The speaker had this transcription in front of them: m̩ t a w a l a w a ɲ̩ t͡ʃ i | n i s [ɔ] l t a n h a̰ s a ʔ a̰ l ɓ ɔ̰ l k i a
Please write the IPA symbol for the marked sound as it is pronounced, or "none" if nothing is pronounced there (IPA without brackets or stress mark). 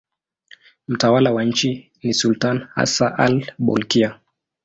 u